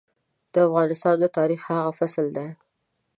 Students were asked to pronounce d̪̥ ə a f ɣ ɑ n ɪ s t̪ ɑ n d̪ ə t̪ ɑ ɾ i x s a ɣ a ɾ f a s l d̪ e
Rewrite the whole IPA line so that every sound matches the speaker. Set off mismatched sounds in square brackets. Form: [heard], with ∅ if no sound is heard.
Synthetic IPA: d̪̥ ə a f ɣ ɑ n ɪ s t̪ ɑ n d̪ ə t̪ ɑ ɾ i x [h] a ɣ a [∅] f a s l d̪ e